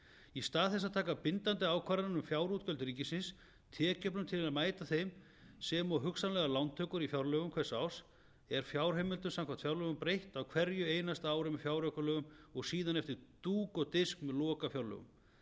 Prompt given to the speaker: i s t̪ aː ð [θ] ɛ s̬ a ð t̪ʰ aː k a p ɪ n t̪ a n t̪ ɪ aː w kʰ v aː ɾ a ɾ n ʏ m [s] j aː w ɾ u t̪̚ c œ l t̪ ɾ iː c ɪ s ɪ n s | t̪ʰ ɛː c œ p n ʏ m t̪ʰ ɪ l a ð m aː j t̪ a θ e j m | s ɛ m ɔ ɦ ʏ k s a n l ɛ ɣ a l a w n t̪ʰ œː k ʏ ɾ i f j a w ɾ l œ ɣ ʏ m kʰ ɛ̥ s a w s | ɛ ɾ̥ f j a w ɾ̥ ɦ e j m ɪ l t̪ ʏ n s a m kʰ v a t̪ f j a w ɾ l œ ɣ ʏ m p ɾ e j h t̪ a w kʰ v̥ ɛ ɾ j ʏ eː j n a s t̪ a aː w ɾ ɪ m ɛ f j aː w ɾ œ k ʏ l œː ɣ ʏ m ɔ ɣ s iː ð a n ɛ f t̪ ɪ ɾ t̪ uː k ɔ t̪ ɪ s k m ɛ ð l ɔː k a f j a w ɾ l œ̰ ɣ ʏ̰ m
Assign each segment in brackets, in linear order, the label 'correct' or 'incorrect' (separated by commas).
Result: correct, incorrect